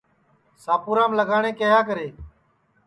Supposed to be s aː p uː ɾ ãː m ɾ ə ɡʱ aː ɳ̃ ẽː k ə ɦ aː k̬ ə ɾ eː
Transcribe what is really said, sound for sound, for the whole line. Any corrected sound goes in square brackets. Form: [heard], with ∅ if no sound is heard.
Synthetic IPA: s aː p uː ɾ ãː m [l] ə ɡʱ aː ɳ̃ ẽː k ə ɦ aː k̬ ə ɾ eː